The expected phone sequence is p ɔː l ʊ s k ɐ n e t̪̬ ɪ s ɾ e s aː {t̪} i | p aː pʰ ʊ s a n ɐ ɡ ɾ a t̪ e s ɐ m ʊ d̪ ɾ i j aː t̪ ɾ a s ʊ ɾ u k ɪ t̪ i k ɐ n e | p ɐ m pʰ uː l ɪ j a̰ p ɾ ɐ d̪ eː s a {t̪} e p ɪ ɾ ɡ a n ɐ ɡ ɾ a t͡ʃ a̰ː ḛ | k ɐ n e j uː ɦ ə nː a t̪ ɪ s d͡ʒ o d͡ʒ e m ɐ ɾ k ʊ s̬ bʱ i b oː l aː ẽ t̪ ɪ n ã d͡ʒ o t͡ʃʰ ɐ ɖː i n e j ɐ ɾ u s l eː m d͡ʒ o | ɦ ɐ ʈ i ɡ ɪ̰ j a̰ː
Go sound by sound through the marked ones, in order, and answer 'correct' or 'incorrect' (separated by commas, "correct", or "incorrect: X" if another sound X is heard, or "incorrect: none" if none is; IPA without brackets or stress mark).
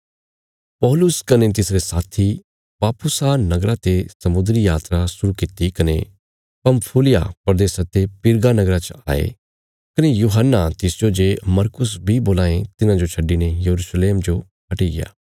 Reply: incorrect: t̪ʰ, correct